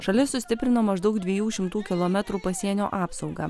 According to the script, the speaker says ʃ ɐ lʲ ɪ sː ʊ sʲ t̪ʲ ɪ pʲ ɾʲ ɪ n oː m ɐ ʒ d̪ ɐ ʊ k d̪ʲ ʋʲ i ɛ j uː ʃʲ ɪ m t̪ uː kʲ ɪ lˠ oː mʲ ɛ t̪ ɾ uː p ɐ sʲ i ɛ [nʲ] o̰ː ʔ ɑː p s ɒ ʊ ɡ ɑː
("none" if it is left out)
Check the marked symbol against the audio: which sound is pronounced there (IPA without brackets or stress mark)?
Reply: nʲ